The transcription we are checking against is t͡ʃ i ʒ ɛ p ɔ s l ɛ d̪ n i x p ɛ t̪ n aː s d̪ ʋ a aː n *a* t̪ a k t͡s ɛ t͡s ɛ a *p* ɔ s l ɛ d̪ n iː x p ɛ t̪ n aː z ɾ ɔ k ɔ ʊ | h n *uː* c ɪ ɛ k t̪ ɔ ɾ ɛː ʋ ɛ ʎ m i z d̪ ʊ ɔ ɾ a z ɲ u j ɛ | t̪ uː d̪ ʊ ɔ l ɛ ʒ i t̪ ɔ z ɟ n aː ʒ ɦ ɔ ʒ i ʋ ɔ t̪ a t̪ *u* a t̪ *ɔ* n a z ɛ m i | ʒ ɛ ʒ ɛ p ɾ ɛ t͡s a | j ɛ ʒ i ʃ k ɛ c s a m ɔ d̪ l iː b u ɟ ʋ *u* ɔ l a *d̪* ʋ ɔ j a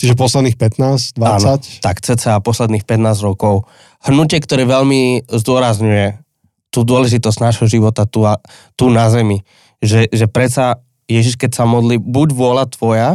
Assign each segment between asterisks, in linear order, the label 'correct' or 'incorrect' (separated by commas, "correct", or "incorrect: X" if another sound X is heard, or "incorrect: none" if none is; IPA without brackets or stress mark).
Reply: correct, correct, incorrect: u, correct, incorrect: u, incorrect: ʊ, incorrect: t̪